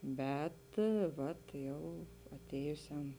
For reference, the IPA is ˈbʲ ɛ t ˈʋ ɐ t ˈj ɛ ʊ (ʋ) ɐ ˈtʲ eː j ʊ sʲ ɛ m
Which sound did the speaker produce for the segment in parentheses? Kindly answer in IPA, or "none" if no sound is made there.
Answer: none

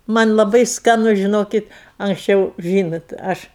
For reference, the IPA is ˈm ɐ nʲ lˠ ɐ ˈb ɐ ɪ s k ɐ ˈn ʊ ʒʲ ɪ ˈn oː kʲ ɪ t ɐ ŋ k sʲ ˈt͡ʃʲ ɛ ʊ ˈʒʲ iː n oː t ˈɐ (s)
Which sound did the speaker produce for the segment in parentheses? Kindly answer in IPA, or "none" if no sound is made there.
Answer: ʃ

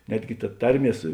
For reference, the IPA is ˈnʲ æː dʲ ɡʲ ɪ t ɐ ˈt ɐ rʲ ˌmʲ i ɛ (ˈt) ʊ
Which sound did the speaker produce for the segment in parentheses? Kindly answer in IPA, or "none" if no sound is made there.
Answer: s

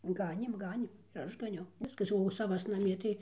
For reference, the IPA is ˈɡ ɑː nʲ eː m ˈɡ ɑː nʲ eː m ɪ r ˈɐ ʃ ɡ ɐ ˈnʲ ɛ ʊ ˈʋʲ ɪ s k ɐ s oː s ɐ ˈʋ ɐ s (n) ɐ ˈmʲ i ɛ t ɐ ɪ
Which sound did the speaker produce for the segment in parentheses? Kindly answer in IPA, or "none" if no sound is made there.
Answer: n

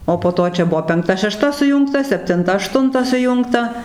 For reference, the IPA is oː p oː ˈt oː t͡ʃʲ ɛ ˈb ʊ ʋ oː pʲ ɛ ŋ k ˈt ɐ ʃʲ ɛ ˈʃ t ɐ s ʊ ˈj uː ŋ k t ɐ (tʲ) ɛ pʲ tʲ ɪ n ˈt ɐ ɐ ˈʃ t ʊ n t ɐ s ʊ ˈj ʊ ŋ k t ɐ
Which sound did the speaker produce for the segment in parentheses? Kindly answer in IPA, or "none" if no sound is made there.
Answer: sʲ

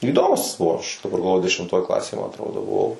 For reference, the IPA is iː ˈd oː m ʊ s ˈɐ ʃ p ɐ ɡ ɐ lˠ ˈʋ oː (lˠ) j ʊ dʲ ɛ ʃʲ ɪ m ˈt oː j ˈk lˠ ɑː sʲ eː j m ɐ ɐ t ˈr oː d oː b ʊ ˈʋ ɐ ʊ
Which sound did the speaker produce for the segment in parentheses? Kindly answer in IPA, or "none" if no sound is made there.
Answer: none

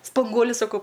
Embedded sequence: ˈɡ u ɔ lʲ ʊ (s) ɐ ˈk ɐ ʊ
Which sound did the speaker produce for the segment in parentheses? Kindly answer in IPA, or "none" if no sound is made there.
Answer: s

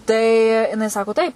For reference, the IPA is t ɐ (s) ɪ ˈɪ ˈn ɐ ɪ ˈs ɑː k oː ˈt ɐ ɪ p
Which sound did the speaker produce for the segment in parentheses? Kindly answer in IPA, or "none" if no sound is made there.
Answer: none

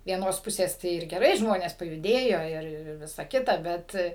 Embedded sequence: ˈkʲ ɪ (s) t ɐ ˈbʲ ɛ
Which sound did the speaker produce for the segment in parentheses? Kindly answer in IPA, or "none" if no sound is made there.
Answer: none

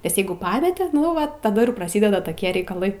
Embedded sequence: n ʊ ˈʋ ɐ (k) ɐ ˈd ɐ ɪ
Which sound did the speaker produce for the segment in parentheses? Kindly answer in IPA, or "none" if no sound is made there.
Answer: t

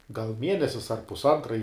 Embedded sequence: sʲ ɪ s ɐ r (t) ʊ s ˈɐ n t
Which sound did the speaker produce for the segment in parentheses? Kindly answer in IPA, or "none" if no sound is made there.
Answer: p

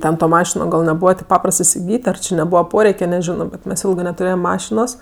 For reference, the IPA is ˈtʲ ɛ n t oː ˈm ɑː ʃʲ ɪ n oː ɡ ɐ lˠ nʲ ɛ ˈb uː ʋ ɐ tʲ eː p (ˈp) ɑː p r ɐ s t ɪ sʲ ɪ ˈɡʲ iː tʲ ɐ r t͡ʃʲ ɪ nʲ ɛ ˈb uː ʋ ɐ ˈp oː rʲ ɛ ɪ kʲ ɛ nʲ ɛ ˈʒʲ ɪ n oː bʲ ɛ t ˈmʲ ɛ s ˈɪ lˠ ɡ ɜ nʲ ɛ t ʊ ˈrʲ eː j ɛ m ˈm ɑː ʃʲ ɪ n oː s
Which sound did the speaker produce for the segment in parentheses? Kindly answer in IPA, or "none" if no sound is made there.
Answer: p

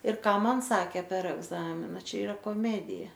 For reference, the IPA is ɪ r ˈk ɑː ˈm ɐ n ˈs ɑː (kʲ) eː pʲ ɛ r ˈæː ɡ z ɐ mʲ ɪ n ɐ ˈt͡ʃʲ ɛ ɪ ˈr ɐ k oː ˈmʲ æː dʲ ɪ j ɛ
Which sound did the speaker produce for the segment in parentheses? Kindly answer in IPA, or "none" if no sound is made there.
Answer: kʲ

